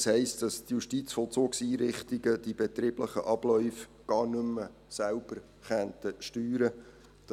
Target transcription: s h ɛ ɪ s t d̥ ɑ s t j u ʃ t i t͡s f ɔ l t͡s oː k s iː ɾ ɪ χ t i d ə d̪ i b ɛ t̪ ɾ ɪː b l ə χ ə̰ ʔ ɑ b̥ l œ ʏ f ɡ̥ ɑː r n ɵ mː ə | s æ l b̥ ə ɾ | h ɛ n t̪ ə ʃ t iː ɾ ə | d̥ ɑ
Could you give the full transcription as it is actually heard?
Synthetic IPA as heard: s h ɛ ɪ s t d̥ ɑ s t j u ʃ t i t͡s f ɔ l t͡s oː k s iː ɾ ɪ χ t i ɡ ə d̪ i b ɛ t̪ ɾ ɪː b l ə χ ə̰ ʔ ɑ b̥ l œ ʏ f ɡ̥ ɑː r n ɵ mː ə | s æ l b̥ ə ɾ | χ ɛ n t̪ ə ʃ t yː ɾ ə | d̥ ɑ